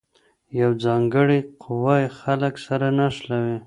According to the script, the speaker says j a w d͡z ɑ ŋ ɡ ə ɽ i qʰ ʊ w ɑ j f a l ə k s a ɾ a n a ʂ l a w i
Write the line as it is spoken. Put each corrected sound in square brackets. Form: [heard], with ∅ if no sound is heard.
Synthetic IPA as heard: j a w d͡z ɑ ŋ ɡ ə ɽ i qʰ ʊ w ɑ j [x] a l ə k s a ɾ a n a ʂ l a w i